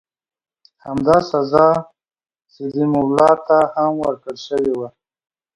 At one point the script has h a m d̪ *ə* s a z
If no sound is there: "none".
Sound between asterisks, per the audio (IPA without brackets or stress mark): ɑ